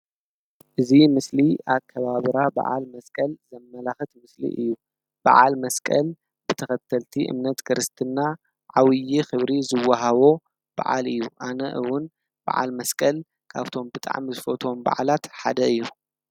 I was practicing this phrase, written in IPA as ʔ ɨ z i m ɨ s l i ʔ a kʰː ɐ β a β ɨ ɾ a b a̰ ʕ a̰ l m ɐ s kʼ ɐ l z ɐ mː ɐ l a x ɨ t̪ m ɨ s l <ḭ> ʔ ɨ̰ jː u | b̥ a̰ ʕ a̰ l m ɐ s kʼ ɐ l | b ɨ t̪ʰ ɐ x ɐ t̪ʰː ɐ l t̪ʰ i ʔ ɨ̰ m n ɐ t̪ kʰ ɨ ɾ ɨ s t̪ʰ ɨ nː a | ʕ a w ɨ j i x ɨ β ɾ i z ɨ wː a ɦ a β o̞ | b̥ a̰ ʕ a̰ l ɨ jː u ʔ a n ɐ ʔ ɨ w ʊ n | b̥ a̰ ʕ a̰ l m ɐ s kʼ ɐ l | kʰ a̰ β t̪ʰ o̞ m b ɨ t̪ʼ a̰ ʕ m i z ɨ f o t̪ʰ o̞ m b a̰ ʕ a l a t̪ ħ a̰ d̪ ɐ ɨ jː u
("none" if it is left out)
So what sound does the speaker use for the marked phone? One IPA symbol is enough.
ḭ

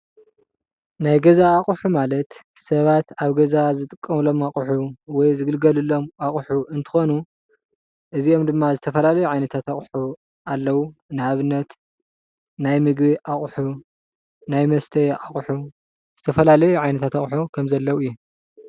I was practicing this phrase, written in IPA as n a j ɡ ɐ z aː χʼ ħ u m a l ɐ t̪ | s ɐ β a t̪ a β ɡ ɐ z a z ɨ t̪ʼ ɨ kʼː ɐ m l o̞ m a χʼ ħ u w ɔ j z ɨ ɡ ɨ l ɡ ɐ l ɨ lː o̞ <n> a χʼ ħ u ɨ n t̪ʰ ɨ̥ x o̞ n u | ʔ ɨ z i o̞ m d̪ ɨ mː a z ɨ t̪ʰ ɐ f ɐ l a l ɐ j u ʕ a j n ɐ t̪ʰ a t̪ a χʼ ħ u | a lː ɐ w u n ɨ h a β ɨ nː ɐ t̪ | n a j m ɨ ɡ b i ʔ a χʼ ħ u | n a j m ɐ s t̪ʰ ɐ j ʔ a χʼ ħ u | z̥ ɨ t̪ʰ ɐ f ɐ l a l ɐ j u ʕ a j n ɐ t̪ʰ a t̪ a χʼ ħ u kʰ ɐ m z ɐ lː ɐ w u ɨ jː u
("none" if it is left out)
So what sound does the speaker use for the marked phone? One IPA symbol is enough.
m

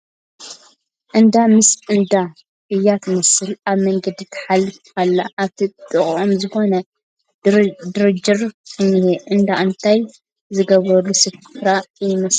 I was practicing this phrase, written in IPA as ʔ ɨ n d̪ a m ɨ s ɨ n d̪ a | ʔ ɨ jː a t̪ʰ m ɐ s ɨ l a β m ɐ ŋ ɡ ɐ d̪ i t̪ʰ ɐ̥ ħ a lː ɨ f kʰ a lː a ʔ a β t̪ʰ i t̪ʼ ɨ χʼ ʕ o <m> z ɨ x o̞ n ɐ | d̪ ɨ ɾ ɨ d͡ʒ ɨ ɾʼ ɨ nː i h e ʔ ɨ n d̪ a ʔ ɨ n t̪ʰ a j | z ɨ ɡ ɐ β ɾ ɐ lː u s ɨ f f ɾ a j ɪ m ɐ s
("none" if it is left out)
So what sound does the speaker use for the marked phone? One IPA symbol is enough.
m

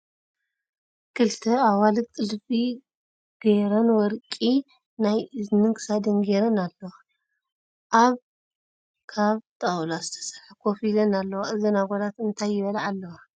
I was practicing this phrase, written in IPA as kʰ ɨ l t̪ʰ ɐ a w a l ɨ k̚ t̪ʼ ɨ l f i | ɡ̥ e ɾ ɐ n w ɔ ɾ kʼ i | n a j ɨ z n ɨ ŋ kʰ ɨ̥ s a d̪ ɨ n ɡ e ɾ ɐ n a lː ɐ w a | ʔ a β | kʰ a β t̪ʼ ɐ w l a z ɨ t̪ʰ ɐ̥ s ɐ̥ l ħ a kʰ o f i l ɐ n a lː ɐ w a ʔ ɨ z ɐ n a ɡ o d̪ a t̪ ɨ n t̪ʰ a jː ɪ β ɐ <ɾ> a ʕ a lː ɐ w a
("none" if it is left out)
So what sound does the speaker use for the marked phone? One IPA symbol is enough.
l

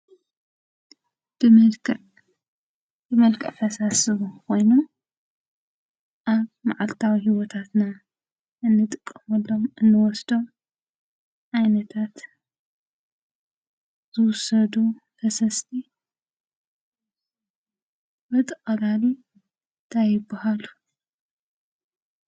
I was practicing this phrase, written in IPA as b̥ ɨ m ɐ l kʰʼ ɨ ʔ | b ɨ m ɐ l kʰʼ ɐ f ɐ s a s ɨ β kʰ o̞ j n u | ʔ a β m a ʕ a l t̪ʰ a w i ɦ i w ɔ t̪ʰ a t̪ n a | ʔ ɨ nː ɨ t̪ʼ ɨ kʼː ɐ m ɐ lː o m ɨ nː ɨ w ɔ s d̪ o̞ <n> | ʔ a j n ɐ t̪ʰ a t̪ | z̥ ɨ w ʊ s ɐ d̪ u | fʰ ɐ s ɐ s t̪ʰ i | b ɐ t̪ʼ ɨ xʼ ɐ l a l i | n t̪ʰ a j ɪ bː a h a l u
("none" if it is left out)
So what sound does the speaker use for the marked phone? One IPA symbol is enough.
m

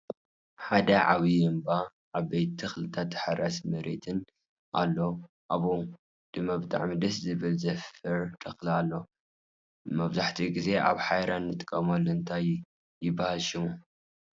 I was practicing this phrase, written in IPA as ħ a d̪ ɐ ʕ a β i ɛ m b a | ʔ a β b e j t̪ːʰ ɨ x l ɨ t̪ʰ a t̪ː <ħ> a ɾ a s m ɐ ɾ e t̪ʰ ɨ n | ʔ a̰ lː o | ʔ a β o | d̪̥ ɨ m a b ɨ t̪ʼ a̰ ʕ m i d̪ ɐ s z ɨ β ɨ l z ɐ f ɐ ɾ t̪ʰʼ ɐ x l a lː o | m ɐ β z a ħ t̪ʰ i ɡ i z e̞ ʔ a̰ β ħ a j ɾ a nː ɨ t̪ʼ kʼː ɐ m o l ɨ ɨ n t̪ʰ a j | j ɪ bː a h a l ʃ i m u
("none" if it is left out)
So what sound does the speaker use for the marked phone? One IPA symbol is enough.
ħ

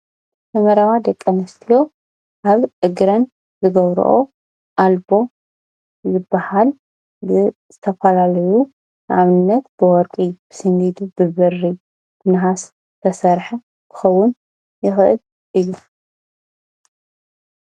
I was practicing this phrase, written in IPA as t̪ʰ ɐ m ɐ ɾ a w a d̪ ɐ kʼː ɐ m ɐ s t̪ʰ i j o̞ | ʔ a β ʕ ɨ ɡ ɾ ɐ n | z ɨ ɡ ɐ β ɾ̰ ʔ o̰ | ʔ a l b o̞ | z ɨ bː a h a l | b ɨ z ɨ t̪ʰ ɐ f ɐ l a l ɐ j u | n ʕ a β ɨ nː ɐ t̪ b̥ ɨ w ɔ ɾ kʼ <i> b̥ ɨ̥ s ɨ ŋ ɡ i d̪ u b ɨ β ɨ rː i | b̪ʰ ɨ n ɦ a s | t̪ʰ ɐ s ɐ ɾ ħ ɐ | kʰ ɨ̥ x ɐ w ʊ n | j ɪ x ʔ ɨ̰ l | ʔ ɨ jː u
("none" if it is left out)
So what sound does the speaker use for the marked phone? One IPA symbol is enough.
i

